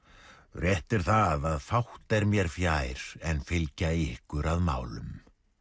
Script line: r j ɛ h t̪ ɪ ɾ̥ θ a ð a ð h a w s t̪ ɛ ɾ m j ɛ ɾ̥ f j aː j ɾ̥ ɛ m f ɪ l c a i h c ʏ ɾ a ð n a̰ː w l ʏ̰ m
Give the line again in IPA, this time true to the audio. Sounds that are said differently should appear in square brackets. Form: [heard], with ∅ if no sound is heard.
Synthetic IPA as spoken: r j ɛ h t̪ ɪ ɾ̥ θ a ð a ð [f] a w [h] t̪ ɛ ɾ m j ɛ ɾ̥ f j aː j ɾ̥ ɛ [n] f ɪ l c a [ɪ] h [k] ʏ ɾ a ð [m] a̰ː w l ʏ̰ m